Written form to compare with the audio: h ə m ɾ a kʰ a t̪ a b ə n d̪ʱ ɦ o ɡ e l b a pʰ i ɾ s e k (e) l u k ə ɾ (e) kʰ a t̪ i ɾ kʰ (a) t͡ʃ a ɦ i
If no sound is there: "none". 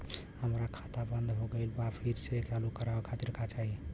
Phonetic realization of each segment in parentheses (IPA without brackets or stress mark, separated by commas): a, a, a